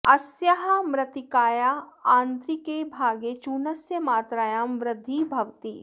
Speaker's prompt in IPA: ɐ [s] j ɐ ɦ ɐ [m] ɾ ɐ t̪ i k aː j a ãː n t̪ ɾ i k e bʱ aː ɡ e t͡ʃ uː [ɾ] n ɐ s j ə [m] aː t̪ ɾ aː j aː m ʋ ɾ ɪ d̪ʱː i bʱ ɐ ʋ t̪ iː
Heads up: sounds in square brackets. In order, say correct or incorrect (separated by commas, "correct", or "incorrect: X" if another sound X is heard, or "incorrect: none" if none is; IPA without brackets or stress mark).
correct, correct, incorrect: none, correct